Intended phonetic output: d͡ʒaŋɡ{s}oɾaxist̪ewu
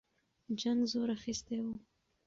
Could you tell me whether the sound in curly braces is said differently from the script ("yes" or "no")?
yes